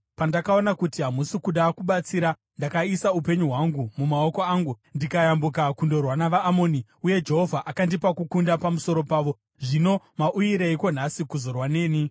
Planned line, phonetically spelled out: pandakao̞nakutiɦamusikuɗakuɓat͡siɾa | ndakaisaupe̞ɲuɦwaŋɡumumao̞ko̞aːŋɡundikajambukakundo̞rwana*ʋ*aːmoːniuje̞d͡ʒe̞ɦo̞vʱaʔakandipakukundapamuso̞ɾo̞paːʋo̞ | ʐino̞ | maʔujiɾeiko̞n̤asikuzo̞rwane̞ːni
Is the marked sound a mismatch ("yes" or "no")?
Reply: no